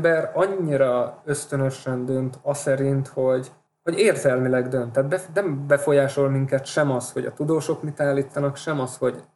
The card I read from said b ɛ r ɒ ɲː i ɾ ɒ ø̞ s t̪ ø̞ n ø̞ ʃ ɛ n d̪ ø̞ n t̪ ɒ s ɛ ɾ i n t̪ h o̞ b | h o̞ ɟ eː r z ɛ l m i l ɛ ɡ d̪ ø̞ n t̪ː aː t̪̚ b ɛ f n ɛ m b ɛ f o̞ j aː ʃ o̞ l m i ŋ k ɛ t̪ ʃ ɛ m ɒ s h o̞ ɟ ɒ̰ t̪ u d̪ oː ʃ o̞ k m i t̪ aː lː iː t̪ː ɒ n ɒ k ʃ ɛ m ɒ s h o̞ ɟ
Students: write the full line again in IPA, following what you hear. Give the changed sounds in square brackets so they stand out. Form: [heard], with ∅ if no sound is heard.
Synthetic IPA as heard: b ɛ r ɒ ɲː i ɾ ɒ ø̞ s t̪ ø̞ n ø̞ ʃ ɛ n d̪ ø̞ n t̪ ɒ s ɛ ɾ i n t̪ h o̞ [ɟ] | h o̞ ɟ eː r z ɛ l m i l ɛ ɡ d̪ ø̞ n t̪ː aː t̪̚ b ɛ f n ɛ m b ɛ f o̞ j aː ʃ o̞ l m i ŋ k ɛ t̪ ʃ ɛ m ɒ s h o̞ ɟ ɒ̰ t̪ u d̪ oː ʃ o̞ k m i t̪ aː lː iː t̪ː ɒ n ɒ k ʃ ɛ m ɒ s h o̞ ɟ